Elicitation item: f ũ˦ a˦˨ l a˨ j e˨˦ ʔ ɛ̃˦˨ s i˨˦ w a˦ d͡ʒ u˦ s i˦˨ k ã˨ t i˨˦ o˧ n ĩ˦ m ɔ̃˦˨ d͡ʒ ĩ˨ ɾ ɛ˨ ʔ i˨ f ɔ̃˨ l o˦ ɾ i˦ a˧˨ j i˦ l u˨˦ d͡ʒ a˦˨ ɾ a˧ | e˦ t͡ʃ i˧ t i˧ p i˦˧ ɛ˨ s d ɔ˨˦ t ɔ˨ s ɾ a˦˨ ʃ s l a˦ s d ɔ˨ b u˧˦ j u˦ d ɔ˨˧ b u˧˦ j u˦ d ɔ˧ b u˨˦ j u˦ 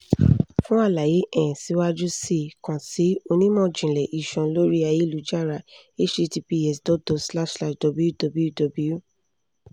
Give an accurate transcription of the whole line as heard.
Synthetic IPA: f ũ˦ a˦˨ l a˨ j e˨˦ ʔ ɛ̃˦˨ s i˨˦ w a˦ d͡ʒ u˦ s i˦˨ k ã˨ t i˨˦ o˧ n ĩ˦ m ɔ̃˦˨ d͡ʒ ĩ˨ l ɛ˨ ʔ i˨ ʃ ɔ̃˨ l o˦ ɾ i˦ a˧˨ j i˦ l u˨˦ d͡ʒ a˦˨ ɾ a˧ | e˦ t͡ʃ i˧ t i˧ p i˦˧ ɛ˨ s d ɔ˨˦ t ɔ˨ s l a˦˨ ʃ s l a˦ ʃ d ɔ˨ b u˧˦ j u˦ d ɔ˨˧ b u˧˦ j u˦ d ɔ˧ b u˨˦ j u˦